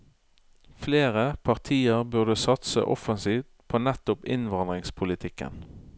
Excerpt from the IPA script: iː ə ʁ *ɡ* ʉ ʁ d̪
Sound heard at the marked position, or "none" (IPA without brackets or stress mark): b